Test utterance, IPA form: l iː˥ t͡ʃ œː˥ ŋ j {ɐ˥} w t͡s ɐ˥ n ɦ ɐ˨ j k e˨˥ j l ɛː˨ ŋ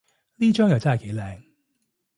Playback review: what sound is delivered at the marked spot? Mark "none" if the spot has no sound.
ɐ˨˩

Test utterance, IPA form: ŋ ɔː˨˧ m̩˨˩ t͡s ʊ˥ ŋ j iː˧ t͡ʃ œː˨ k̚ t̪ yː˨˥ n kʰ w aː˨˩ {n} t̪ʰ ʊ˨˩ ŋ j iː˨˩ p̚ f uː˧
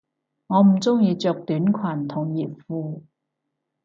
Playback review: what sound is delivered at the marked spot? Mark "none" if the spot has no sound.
n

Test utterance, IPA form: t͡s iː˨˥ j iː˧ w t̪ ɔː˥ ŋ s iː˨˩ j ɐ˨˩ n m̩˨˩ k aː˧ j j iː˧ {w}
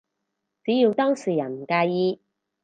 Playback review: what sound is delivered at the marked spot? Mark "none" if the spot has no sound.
none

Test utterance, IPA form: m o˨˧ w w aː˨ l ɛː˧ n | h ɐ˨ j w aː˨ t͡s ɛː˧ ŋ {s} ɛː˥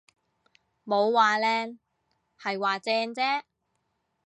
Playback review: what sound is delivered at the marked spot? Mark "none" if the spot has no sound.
t͡s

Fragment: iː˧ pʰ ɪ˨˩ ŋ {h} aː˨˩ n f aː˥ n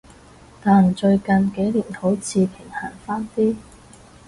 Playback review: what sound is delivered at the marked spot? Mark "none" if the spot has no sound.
h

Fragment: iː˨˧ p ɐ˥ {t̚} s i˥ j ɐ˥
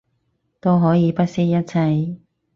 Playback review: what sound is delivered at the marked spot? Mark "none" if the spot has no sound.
t̚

